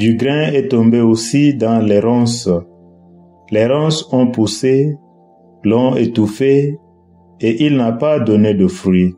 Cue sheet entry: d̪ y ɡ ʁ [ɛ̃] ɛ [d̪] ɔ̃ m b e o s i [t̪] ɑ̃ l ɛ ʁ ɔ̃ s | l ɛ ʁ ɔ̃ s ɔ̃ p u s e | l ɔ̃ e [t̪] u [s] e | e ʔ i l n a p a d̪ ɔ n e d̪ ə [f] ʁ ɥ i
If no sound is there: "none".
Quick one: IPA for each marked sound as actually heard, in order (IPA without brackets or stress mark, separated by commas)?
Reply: ɛ̃, t̪, d̪, t̪, f, f